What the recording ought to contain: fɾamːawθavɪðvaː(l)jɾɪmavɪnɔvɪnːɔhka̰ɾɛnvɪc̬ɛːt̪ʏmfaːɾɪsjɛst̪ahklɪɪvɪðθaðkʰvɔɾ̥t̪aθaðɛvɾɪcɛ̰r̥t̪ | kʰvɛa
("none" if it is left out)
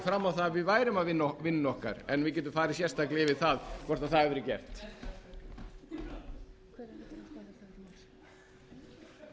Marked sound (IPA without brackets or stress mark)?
none